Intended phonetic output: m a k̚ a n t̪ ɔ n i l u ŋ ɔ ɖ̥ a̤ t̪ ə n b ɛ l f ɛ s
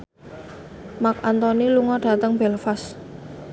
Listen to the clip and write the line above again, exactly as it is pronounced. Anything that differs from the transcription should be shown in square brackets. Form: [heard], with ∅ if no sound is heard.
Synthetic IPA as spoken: m a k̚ a n t̪ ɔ n i l u ŋ ɔ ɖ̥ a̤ t̪ ə [ŋ] b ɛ l f [a] s